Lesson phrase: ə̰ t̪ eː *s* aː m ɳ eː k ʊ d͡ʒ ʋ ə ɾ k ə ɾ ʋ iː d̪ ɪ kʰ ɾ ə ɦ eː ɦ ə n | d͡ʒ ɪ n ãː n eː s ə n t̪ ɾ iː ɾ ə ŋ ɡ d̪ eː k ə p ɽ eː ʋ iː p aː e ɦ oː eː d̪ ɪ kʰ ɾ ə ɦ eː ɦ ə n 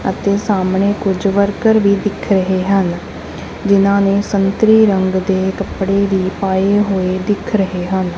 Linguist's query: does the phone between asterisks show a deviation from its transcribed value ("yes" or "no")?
no